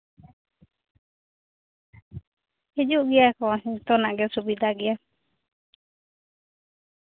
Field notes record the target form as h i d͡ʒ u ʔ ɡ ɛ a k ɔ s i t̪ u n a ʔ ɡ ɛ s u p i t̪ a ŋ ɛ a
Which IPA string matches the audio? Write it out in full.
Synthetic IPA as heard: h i d͡ʒ u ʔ ɡ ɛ a k ɔ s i t̪ ɔ n a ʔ ɡ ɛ s u b i d̪ a ɡ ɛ a